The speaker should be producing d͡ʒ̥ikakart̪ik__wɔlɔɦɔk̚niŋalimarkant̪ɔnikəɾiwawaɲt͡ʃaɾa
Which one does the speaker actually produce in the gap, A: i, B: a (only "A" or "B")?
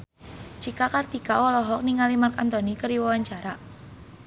B